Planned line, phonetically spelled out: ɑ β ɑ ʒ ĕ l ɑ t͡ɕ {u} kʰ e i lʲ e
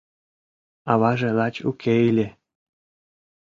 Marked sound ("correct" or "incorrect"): correct